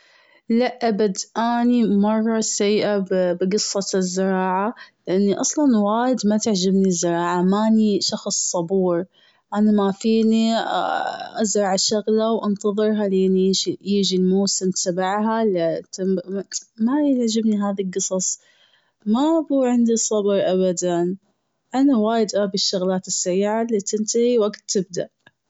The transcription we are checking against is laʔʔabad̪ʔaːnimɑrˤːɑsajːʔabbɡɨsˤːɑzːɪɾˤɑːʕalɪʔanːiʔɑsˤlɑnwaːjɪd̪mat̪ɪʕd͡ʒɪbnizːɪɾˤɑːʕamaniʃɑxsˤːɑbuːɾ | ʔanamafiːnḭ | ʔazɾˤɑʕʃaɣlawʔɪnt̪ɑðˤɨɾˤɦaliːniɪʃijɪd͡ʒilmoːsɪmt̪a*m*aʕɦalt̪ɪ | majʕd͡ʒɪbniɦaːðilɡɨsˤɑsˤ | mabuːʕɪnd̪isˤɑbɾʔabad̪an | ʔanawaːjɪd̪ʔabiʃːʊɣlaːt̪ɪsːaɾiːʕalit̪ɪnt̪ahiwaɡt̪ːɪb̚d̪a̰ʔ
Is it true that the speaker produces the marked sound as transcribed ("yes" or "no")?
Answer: no